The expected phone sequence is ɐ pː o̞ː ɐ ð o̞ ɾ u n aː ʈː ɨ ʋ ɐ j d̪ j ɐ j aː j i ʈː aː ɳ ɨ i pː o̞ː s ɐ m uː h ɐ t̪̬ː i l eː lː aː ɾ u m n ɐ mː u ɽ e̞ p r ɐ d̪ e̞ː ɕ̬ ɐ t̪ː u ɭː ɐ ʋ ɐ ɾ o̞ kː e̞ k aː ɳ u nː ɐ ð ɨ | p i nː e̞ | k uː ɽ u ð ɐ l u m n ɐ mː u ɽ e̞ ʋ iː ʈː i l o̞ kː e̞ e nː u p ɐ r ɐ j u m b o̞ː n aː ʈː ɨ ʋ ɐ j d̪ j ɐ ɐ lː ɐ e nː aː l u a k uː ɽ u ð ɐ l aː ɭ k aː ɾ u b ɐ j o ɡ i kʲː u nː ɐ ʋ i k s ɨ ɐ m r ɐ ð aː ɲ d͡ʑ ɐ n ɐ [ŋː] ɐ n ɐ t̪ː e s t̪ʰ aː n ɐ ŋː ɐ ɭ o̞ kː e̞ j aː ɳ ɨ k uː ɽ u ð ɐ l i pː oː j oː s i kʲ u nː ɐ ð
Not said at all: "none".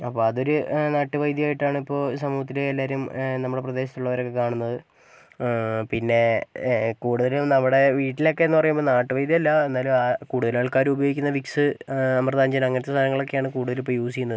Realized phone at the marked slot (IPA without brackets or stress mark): ŋː